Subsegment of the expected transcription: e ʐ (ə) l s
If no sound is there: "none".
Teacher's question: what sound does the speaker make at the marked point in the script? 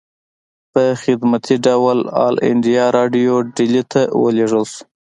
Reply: ə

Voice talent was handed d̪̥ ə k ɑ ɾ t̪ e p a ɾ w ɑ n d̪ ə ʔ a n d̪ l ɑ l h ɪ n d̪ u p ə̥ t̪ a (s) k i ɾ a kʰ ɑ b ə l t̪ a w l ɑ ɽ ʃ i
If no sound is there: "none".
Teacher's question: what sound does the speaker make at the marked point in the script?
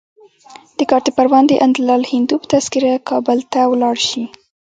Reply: s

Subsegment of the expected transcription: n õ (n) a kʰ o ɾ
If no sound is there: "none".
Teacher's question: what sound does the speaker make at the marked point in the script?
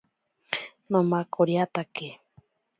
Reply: m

